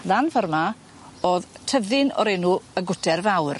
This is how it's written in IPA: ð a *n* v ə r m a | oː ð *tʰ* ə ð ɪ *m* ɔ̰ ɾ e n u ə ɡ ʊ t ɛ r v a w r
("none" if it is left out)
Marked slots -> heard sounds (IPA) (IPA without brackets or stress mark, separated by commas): n, tʰ, n